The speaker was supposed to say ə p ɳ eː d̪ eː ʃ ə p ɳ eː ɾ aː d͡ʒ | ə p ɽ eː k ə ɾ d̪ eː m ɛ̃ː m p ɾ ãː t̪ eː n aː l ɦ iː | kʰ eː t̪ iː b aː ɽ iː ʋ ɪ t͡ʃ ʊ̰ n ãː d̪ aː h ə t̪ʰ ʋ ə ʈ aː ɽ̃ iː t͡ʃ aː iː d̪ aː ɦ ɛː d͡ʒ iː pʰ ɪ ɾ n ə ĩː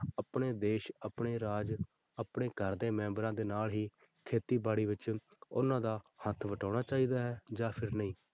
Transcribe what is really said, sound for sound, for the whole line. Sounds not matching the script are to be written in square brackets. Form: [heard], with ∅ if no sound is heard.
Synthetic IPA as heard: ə p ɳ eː d̪ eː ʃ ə p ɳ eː ɾ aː d͡ʒ | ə p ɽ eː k ə ɾ d̪ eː m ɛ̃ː m [b] ɾ ãː [d̪] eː n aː l ɦ iː | kʰ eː t̪ iː b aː ɽ iː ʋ ɪ t͡ʃ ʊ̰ n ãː d̪ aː h ə t̪ʰ ʋ ə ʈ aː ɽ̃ [aː] t͡ʃ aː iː d̪ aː ɦ ɛː d͡ʒ [aː] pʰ ɪ ɾ n ə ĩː